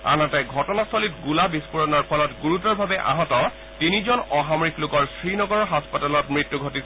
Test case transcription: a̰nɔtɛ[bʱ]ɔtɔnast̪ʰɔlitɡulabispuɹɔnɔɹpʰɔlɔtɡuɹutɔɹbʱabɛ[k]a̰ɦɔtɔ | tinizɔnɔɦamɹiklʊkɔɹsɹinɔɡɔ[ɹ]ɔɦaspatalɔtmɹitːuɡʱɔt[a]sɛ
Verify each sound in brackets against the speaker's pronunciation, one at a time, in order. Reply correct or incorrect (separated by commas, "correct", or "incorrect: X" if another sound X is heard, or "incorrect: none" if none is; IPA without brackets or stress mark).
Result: incorrect: ɡʱ, incorrect: ʔ, correct, incorrect: i